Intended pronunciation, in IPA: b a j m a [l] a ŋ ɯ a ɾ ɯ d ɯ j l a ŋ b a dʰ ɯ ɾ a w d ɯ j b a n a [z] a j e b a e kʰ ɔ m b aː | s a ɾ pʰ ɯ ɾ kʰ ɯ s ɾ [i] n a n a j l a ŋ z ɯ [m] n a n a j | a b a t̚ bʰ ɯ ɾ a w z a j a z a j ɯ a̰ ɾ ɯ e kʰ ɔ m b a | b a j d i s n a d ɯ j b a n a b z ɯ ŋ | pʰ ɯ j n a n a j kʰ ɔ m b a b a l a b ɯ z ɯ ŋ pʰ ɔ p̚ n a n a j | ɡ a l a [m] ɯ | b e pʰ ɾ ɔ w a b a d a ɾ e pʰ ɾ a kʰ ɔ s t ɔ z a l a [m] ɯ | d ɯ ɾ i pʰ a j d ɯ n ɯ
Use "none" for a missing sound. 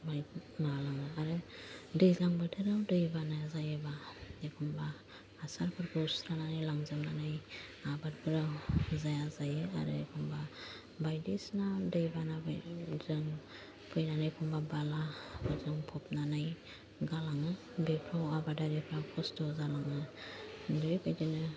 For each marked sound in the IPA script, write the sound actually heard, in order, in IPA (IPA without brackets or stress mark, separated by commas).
l, z, a, m, ŋ, ŋ